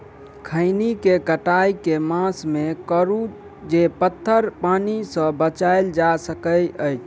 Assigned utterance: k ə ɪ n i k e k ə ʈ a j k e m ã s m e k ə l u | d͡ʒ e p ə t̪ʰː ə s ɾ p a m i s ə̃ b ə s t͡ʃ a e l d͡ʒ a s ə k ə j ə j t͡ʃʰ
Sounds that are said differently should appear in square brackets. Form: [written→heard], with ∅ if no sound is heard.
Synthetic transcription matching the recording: [k→kʰ] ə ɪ n i k e k ə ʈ a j k e m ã s m e k ə [l→ɾ] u | d͡ʒ e p ə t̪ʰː ə [s→∅] ɾ p a [m→n] i s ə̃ b ə [s→∅] t͡ʃ a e l d͡ʒ a s ə k ə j ə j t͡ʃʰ